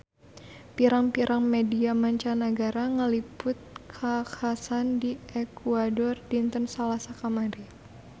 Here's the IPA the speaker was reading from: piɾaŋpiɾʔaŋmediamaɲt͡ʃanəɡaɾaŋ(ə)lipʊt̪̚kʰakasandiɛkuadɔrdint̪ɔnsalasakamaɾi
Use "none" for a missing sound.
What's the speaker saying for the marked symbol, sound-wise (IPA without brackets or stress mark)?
ə